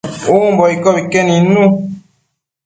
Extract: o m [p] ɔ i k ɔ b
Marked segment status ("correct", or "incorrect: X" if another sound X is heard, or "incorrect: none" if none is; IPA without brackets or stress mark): incorrect: b